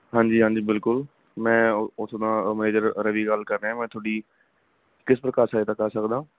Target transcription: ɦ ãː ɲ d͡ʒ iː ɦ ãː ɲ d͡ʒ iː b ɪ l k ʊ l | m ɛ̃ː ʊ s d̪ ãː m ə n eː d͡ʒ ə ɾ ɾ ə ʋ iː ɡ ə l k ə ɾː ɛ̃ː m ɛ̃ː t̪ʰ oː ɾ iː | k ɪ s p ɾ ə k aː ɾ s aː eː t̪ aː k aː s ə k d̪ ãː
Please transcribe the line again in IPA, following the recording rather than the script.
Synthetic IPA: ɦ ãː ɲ d͡ʒ iː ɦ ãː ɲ d͡ʒ iː b ɪ l k ʊ l | m ɛ̃ː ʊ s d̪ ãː m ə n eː d͡ʒ ə ɾ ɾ ə ʋ iː ɡ ə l k ə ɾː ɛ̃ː m ɛ̃ː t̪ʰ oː ɽ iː | k ɪ s p ɾ ə k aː ɾ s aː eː t̪ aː k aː s ə k d̪ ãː

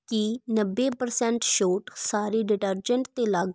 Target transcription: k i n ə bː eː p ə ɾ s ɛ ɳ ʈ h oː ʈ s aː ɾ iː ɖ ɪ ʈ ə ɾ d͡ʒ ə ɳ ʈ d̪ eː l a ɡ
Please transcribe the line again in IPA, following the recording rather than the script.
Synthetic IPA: k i n ə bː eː p ə ɾ s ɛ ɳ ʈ ʃ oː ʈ s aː ɾ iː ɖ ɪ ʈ ə ɾ d͡ʒ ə ɳ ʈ t̪ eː l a ɡ

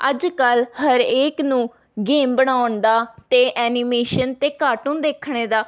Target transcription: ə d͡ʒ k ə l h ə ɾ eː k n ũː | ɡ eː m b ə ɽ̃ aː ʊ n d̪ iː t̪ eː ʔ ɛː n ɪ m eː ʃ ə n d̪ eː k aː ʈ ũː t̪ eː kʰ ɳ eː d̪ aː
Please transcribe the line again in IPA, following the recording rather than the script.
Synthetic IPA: ə d͡ʒ k ə l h ə ɾ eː k n ũː | ɡ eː m b ə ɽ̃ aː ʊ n d̪ aː t̪ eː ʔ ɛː n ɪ m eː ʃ ə n t̪ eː k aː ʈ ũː d̪ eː kʰ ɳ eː d̪ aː

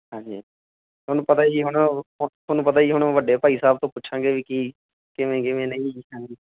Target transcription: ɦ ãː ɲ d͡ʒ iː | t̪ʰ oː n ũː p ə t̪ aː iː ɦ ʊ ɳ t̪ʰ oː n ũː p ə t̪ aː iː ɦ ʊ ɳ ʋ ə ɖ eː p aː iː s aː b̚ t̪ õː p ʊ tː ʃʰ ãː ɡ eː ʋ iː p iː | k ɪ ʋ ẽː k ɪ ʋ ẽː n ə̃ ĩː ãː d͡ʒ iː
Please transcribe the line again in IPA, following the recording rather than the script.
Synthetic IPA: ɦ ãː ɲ d͡ʒ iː | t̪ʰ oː n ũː p ə t̪ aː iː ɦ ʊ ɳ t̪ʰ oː n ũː p ə t̪ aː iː ɦ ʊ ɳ ʋ ə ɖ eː p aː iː s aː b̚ t̪ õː p ʊ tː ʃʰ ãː ɡ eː ʋ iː k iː | k ɪ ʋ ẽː k ɪ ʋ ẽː n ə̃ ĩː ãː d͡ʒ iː

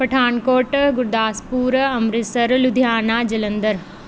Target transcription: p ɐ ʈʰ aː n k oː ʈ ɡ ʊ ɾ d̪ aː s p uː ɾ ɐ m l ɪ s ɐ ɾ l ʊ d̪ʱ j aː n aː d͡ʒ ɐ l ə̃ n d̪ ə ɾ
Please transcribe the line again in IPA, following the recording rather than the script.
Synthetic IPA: p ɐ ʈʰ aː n k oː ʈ ɡ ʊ ɾ d̪ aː s p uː ɾ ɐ m ɾ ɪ s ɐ ɾ l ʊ d̪ʱ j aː n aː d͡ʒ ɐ l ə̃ n d̪ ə ɾ

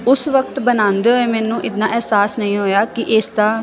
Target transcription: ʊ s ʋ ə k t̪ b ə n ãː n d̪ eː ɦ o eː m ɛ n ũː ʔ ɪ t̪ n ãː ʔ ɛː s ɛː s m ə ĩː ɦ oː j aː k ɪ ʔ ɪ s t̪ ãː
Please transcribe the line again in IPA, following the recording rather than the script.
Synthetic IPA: ʊ s ʋ ə k t̪ b ə n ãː n d̪ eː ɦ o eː m ɛː n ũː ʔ ɪ t̪ n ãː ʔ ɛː s aː s n ə ĩː ɦ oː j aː k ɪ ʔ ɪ s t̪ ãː

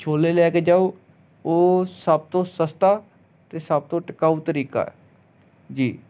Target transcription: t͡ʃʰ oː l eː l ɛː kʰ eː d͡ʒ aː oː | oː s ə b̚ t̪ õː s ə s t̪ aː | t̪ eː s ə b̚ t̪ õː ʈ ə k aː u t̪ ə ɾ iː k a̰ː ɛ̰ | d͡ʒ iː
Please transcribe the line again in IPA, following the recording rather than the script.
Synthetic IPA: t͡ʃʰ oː l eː l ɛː k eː d͡ʒ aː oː | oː s ə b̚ t̪ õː s ə s t̪ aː | t̪ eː s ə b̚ t̪ õː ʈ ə k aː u t̪ ə ɾ iː k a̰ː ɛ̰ | d͡ʒ iː

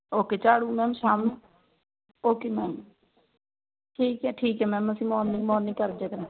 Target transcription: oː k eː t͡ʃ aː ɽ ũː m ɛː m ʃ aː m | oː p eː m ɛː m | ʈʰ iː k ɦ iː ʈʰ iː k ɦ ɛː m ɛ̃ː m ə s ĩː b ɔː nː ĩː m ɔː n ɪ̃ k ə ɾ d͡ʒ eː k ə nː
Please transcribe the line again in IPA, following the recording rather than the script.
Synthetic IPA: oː k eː t͡ʃ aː ɽ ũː m ɛː m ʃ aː m | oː k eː m ɛː m | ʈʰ iː k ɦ ɛː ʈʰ iː k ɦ ɛː m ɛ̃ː m ə s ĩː m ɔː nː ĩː m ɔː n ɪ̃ k ə ɾ d͡ʒ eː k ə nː

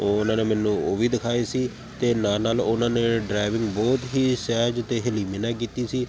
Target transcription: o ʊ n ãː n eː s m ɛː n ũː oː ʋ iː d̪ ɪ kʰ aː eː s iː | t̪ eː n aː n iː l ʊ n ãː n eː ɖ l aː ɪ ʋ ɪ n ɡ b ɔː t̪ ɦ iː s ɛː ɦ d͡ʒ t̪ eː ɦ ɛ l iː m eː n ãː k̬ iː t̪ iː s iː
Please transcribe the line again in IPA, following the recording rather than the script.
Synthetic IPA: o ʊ n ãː n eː m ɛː n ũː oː ʋ iː d̪ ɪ kʰ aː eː s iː | t̪ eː n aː n aː l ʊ n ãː n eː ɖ ɾ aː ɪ ʋ ɪ ŋ ɡ b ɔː t̪ ɦ iː s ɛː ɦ d͡ʒ t̪ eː ɦ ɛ l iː m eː n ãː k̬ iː t̪ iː s iː

